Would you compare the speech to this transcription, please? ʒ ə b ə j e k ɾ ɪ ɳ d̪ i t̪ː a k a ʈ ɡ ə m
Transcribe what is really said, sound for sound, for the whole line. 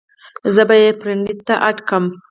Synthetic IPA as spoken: z ə b a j e p ɾ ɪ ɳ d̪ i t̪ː a ʔ a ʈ k ə m